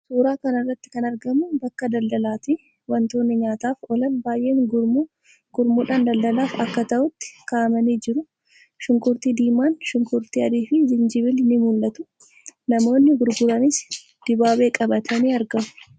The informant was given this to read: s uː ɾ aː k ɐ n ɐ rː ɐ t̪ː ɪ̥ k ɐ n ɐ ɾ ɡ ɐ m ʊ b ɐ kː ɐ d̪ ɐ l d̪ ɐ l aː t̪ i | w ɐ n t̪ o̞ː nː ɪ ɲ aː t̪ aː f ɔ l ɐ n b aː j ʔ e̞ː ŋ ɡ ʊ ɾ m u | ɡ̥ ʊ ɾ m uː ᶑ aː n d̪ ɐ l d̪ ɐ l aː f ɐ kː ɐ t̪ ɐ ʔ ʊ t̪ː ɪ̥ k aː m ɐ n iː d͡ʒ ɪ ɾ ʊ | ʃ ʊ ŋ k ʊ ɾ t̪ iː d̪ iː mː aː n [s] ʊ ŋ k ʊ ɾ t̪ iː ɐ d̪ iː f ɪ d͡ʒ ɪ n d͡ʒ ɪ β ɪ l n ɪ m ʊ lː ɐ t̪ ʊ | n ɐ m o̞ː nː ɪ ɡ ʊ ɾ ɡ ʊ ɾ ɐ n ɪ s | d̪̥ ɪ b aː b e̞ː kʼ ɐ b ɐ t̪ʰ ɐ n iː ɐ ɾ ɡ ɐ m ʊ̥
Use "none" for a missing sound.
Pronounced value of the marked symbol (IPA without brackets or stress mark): ʃ